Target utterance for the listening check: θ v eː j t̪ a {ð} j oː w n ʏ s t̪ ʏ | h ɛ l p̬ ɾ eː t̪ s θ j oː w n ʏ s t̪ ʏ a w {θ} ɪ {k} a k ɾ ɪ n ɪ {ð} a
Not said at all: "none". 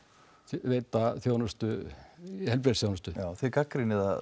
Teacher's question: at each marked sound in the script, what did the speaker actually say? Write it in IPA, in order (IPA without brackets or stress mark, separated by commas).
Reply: θ, θ, k, ð